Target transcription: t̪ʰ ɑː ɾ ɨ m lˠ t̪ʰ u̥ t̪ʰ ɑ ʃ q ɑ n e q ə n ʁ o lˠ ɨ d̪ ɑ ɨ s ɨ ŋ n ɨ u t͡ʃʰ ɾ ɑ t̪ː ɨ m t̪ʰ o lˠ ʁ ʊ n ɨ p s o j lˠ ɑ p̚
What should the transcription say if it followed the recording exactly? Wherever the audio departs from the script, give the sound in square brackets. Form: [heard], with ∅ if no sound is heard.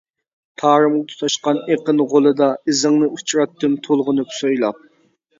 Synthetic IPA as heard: t̪ʰ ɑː ɾ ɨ m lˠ t̪ʰ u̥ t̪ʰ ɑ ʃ q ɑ n e q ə n ʁ o lˠ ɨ d̪ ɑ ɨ [z] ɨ ŋ n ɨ u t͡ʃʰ ɾ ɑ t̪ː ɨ m t̪ʰ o lˠ ʁ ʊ n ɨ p s o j lˠ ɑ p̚